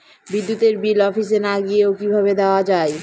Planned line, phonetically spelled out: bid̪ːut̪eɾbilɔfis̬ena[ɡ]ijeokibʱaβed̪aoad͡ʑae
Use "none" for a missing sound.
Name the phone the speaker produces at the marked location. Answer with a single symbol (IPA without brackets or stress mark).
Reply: ɡ